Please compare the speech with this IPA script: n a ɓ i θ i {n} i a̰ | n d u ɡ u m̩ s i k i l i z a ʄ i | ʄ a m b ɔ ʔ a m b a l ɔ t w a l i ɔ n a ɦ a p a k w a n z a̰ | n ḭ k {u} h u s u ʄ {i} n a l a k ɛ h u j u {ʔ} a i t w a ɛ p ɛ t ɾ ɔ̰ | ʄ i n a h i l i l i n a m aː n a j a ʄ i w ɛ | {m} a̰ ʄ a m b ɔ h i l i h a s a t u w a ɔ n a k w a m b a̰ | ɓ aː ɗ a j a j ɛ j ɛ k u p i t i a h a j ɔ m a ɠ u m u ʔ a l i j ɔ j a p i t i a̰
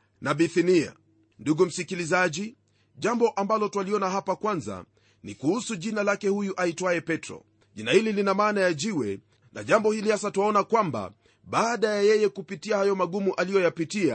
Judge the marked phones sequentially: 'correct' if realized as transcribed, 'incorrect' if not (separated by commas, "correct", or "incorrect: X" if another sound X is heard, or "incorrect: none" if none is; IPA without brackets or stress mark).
correct, correct, correct, correct, incorrect: n